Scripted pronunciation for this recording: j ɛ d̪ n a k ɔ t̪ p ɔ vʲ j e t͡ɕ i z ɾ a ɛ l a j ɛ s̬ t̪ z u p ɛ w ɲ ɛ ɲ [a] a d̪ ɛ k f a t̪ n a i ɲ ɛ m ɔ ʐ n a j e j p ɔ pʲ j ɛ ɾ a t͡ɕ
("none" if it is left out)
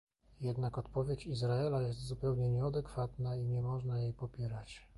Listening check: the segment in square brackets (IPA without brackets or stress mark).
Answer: ɛ